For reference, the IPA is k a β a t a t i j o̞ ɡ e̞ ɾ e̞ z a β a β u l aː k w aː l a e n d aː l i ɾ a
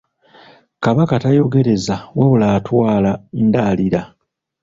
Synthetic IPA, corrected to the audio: k a β a k a t a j o̞ ɡ e̞ ɾ e̞ z a w a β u l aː t w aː l a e n d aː l i ɾ a